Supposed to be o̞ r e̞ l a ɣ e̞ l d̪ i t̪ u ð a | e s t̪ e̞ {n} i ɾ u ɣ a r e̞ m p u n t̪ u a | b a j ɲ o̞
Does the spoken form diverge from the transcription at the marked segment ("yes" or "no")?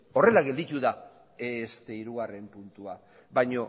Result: yes